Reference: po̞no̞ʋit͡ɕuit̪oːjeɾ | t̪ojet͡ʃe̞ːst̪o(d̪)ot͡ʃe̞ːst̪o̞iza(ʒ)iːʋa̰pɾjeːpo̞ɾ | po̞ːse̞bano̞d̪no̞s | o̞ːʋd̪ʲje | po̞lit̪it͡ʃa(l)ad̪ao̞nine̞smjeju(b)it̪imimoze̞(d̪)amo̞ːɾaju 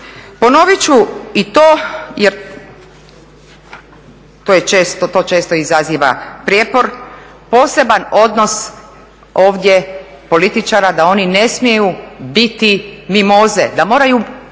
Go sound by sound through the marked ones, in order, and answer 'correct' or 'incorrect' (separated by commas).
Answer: incorrect, incorrect, incorrect, correct, correct